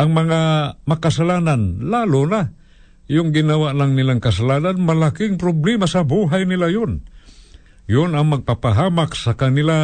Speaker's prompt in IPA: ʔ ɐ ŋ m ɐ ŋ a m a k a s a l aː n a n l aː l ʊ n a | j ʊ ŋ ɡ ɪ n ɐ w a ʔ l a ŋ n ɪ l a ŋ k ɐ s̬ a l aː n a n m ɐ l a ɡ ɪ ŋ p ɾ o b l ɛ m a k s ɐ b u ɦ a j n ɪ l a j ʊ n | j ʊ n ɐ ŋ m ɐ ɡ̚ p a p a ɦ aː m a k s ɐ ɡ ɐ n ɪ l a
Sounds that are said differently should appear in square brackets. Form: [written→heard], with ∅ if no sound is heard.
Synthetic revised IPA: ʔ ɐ ŋ m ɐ ŋ a m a k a s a l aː n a n l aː l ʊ n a | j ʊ ŋ ɡ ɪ n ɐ w a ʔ l a ŋ n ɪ l a ŋ k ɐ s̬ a l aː n a n m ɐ l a [ɡ→k] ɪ ŋ p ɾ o b l ɛ m a [k→∅] s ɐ b u ɦ a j n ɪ l a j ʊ n | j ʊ n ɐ ŋ m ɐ ɡ̚ p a p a ɦ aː m a k s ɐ [ɡ→k] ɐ n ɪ l a